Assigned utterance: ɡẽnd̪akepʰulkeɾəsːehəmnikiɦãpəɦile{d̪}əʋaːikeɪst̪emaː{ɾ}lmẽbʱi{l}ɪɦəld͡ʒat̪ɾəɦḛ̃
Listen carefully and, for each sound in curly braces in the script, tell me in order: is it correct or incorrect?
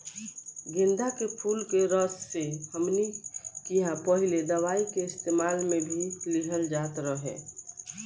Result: correct, incorrect: none, correct

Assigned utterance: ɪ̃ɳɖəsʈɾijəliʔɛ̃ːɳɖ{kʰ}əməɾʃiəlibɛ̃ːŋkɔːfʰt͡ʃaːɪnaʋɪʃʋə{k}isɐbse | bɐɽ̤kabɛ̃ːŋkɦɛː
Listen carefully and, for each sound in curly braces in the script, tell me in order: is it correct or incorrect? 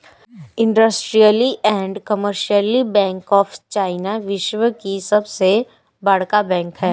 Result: incorrect: k, correct

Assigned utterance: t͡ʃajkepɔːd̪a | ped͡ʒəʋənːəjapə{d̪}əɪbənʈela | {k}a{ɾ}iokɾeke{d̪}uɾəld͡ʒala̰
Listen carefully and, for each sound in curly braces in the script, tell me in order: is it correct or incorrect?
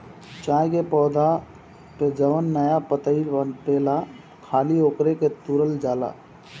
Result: incorrect: t̪, incorrect: kʰ, incorrect: l, incorrect: t̪

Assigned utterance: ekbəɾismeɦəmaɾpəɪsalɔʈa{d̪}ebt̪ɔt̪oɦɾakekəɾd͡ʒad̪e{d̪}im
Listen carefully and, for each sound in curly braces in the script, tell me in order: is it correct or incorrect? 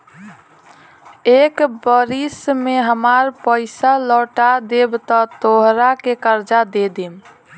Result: correct, correct

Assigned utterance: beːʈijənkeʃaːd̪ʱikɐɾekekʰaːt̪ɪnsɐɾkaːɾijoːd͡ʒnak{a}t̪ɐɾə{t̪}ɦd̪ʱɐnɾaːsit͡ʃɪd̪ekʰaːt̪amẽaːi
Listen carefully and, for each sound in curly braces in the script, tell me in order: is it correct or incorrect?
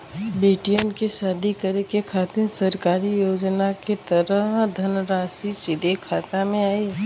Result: incorrect: e, incorrect: none

